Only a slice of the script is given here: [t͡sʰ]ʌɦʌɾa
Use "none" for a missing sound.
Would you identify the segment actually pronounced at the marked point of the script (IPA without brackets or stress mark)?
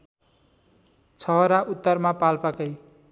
t͡sʰ